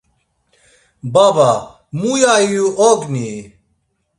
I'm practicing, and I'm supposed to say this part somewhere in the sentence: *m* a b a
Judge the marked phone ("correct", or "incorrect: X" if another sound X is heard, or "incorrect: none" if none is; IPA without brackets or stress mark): incorrect: b